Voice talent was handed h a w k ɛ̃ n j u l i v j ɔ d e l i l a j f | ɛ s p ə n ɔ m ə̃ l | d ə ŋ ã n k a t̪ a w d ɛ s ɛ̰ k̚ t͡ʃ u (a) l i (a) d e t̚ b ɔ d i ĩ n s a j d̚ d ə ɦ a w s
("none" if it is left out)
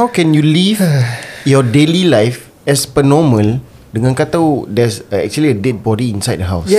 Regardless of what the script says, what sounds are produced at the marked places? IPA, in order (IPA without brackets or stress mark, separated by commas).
ə, ə